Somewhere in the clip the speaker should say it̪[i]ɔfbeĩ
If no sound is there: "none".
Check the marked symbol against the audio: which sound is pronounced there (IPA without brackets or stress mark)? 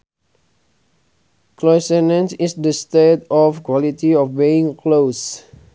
i